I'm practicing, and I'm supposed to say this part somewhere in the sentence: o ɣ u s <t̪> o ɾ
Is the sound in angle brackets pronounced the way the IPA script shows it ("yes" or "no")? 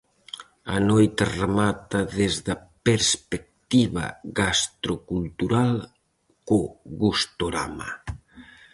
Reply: yes